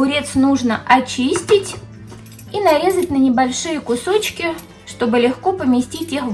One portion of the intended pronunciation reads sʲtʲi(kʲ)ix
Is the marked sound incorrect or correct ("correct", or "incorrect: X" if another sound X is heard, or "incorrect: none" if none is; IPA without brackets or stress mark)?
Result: incorrect: tʲ